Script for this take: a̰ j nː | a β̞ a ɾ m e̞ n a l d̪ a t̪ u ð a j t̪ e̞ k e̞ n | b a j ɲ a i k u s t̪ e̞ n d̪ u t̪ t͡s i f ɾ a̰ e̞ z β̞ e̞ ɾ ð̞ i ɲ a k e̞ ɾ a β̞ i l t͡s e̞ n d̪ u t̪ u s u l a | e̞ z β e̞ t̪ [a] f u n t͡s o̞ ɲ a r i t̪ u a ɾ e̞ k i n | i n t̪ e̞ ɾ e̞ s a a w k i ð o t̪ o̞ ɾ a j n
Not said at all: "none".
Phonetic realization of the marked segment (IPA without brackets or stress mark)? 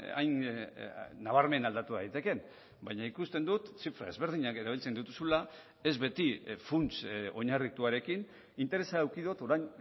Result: i